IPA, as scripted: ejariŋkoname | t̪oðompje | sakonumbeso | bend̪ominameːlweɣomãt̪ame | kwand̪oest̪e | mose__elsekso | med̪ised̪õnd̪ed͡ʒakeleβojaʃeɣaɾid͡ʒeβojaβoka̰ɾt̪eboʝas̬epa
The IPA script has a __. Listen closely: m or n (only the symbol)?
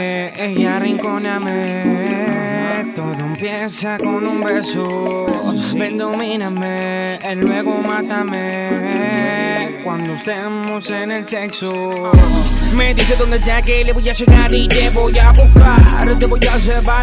n